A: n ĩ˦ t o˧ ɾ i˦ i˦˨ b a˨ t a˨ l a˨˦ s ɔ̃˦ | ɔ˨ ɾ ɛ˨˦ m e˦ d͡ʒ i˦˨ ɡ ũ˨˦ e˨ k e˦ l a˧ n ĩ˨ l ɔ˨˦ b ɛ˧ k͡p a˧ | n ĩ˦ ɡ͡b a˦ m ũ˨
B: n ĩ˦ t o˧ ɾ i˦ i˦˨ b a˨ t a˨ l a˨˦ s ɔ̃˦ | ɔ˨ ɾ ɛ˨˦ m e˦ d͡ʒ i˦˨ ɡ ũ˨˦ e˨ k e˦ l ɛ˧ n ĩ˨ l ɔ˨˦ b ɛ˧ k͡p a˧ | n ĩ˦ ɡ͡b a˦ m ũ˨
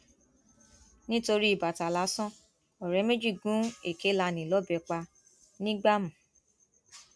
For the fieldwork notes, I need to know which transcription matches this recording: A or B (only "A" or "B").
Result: A